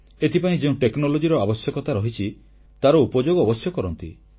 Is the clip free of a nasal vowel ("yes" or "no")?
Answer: no